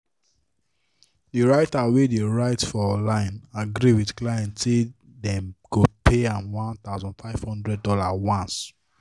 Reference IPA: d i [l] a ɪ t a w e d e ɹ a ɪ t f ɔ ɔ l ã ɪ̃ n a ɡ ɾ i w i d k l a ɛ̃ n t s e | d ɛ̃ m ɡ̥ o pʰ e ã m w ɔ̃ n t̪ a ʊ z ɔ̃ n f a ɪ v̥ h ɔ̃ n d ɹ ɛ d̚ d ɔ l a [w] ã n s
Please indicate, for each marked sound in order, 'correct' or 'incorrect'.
incorrect, correct

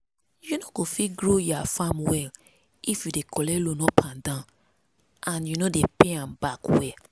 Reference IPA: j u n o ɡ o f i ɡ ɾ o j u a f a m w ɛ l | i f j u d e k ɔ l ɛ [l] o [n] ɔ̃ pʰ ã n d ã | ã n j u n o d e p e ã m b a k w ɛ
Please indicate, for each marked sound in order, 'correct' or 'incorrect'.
correct, correct

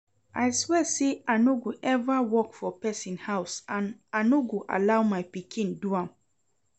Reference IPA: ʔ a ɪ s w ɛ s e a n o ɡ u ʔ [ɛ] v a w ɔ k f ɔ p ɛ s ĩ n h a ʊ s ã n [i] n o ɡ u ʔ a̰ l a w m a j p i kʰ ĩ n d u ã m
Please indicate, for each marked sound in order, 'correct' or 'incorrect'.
correct, incorrect

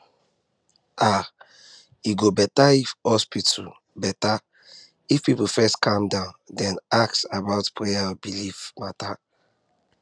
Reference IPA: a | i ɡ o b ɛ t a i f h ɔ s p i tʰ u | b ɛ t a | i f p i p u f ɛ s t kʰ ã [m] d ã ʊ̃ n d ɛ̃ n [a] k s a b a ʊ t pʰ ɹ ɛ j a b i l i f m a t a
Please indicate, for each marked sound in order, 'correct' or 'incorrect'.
correct, correct

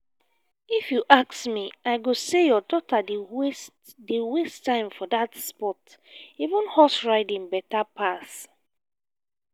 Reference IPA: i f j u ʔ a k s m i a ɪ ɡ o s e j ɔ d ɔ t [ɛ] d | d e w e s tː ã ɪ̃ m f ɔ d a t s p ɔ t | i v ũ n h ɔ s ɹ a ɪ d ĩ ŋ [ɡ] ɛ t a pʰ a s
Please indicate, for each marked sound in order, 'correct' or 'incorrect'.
incorrect, incorrect

